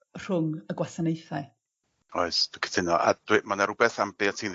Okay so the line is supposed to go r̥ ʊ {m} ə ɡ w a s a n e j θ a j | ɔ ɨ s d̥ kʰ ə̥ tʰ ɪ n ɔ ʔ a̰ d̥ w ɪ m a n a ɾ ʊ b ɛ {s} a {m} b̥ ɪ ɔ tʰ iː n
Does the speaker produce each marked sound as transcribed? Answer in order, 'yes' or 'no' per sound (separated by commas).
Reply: no, no, yes